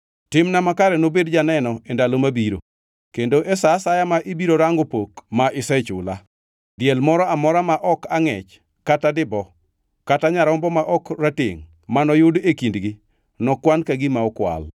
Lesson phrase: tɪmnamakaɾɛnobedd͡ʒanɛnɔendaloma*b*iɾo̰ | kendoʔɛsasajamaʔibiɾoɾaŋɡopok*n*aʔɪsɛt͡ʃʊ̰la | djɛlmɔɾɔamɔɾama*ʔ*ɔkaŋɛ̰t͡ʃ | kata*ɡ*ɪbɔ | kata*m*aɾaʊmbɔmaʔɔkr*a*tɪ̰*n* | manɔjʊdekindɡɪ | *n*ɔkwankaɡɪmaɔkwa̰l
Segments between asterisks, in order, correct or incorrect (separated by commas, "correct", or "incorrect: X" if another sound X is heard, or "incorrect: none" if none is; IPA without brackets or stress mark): correct, incorrect: m, correct, incorrect: d, incorrect: ɲ, correct, incorrect: ŋ, correct